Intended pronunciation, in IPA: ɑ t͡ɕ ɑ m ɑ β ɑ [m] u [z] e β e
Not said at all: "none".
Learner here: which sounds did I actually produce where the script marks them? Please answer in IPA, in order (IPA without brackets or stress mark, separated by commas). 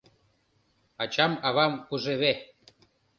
m, ʒ